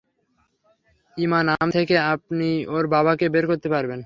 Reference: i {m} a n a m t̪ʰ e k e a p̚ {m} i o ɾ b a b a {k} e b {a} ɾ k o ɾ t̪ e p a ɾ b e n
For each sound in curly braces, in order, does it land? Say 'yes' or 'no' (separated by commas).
yes, no, yes, no